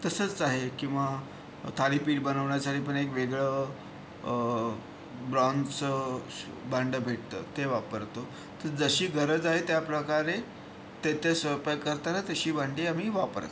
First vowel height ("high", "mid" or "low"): mid